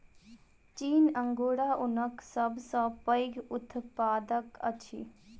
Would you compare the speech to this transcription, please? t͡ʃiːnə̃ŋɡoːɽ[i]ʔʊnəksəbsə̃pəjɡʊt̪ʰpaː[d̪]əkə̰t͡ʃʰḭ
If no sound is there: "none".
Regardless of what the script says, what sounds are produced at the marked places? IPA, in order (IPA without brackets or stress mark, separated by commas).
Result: a, d̪